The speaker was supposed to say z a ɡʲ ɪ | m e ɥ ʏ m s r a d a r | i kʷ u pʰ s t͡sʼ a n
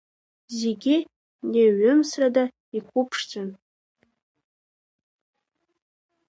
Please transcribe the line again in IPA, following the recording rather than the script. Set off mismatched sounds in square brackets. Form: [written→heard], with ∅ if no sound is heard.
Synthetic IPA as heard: z [a→e] ɡʲ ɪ | [m→n] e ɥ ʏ m s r a d a [r→∅] | i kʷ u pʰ [s→ʂ] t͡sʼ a n

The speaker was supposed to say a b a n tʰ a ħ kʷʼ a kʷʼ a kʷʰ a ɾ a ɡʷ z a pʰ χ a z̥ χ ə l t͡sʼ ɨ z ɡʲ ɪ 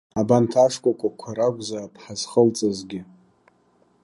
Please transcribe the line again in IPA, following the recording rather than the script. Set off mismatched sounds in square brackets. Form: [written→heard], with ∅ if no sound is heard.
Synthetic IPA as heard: a b a n tʰ a [ħ→ʂ] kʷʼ a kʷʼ a kʷʰ a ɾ a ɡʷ z a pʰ [χ→ħ] a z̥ χ ə l t͡sʼ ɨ z ɡʲ ɪ

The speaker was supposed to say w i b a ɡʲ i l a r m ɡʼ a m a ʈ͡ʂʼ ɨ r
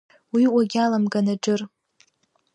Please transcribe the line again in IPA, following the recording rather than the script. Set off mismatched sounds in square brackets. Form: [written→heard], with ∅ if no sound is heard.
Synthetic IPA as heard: w i [b→w] a ɡʲ [i→a] l a [r→∅] m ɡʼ a [m→n] a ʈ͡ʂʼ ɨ r

